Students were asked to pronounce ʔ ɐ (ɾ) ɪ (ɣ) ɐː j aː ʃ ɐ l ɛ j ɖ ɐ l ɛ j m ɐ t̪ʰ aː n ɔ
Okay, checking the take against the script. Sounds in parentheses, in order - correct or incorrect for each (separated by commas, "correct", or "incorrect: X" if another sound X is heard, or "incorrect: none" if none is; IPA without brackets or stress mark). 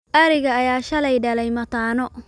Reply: correct, correct